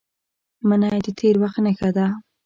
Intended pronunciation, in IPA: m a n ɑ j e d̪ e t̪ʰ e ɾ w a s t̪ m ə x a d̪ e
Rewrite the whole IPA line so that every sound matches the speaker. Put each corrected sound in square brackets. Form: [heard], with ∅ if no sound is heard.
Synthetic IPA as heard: m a n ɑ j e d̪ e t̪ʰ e ɾ w a [x] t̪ [n] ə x a d̪ [a]